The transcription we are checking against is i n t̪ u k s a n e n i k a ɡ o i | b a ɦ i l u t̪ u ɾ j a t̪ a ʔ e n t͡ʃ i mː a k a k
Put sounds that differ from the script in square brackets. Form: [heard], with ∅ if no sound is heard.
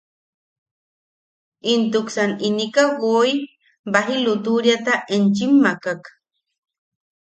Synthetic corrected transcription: i n t̪ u k s a n [i] n i k a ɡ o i | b a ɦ i l u t̪ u ɾ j a t̪ a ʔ e n t͡ʃ i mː a k a k